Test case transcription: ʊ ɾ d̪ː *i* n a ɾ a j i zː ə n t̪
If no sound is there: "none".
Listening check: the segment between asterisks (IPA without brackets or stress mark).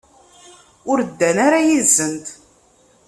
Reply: æ